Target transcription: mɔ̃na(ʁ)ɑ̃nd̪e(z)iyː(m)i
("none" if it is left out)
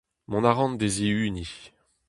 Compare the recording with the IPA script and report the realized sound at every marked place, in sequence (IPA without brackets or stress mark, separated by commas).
ʁ, z, n